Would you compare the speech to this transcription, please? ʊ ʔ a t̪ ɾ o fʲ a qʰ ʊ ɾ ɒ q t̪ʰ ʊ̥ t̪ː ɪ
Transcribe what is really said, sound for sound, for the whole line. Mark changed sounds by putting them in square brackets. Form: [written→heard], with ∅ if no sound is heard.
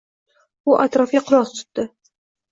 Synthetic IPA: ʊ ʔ a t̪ ɾ [o→ɒ] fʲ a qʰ ʊ ɾ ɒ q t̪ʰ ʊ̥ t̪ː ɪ